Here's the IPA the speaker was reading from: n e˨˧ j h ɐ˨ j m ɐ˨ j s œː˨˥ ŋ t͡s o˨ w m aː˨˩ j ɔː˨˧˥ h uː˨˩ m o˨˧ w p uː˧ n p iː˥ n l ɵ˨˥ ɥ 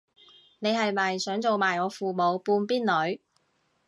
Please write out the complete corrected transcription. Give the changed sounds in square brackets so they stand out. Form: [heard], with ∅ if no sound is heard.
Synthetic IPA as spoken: n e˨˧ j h ɐ˨ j m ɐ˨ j s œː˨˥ ŋ t͡s o˨ w m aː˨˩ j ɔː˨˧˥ [f] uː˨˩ m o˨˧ w p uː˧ n p iː˥ n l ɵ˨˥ ɥ

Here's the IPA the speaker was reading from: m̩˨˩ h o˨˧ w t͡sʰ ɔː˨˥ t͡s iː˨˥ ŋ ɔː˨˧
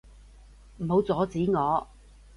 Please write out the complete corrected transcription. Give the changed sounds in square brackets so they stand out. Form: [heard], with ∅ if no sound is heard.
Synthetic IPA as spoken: m̩˨˩ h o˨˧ w [t͡s] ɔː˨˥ t͡s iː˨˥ ŋ ɔː˨˧

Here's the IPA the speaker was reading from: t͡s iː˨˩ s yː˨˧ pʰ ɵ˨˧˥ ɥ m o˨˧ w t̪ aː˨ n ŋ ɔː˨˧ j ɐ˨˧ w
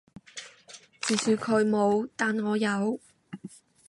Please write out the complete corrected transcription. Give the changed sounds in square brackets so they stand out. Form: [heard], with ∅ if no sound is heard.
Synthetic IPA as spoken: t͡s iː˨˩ s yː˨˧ [kʰ] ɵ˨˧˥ ɥ m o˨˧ w t̪ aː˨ n ŋ ɔː˨˧ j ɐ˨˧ w

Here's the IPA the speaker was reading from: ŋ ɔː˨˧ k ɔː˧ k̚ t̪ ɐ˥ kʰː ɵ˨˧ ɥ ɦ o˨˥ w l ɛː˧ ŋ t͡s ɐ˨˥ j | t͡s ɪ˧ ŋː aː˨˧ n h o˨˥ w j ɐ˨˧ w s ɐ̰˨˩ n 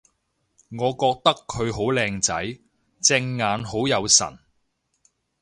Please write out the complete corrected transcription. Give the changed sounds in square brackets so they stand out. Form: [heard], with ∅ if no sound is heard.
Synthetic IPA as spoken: ŋ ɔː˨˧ k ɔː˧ k̚ t̪ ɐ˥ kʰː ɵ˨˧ ɥ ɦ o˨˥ w l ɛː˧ ŋ t͡s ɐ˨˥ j | t͡s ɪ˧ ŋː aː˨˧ n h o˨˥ w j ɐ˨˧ w s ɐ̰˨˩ n

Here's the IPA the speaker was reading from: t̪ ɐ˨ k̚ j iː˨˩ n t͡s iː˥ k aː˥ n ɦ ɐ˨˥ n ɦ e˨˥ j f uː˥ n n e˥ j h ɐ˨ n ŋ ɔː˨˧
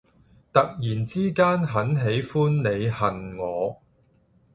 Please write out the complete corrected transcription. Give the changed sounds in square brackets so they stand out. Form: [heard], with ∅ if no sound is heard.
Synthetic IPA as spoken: t̪ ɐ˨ k̚ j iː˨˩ n t͡s iː˥ k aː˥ n ɦ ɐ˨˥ n ɦ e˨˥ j f uː˥ n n [e˨˧] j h ɐ˨ n ŋ ɔː˨˧

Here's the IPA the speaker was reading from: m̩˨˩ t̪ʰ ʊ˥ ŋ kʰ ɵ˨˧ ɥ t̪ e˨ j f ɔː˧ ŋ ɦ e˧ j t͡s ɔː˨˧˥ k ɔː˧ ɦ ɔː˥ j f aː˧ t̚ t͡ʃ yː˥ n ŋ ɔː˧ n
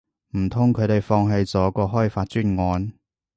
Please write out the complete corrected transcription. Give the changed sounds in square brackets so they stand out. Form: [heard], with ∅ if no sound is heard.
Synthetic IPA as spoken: m̩˨˩ t̪ʰ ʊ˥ ŋ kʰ ɵ˨˧ ɥ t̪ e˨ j f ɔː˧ ŋ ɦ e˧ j t͡s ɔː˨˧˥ k ɔː˧ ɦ ɔː˥ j f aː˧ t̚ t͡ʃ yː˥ n ŋ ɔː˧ n

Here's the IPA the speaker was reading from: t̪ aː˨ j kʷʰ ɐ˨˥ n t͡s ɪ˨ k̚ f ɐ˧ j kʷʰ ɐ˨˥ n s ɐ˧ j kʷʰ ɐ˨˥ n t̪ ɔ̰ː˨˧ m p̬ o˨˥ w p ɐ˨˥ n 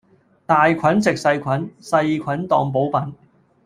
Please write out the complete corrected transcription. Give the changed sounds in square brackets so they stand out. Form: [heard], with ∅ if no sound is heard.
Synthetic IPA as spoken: t̪ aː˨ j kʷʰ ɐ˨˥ n t͡s ɪ˨ k̚ [s] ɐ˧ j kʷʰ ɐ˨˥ n s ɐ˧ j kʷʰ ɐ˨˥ n t̪ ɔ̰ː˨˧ [ŋ] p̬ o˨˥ w p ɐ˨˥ n

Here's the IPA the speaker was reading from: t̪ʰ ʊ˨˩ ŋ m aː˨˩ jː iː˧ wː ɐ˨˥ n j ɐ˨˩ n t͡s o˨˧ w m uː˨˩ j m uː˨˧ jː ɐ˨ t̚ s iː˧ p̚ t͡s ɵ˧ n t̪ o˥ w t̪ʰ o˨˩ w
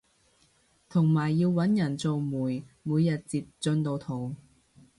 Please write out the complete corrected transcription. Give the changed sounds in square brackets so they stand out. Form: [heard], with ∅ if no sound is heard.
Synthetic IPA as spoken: t̪ʰ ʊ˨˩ ŋ m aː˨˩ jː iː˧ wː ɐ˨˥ n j ɐ˨˩ n t͡s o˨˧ w m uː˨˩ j m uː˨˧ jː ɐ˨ t̚ [t͡s] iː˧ p̚ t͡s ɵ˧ n t̪ [o˧] w t̪ʰ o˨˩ w

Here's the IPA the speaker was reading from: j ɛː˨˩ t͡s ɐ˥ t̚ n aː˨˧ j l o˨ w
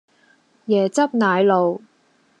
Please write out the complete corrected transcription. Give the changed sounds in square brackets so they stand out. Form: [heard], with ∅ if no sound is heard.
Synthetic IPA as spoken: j ɛː˨˩ t͡s ɐ˥ [p̚] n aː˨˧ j l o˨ w

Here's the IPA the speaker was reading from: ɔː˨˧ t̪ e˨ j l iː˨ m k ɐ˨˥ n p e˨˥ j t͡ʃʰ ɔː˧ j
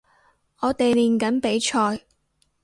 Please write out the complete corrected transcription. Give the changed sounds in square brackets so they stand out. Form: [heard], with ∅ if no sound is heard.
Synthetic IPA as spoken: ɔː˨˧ t̪ e˨ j l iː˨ [n] k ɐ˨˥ n p e˨˥ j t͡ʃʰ ɔː˧ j

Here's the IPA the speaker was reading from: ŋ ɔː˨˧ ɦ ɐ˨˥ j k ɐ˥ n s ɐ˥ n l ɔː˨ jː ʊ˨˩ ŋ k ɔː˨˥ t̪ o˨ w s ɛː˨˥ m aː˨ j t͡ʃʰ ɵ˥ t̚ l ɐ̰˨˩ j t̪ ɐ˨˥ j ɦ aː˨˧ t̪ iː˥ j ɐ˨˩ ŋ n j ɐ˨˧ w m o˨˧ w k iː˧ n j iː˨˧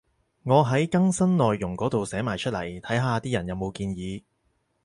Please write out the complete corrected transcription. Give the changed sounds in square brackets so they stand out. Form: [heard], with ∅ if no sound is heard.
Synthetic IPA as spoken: ŋ ɔː˨˧ ɦ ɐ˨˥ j k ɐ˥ [ŋ] s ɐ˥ n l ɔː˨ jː ʊ˨˩ ŋ k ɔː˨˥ t̪ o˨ w s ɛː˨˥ m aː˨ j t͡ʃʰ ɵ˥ t̚ l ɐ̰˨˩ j [t̪ʰ] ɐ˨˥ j ɦ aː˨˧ t̪ iː˥ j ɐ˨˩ [∅] n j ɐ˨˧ w m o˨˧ w k iː˧ n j iː˨˧

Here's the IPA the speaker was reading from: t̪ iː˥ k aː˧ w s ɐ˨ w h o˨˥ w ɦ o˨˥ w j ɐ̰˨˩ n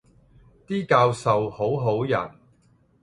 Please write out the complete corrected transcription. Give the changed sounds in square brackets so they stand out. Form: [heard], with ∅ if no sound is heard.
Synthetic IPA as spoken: t̪ iː˥ k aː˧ w s ɐ˨ w h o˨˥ w ɦ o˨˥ w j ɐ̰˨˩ n

